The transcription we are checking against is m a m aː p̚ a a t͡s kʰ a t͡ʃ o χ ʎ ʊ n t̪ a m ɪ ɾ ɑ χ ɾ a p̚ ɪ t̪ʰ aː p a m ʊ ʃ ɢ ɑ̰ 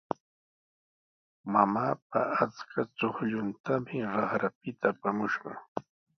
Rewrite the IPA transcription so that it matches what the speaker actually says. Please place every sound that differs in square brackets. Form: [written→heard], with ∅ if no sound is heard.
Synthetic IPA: m a m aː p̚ a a t͡s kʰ a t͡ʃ o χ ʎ ʊ n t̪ a m ɪ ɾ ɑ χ ɾ a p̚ ɪ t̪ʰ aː p a m ʊ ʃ ɢ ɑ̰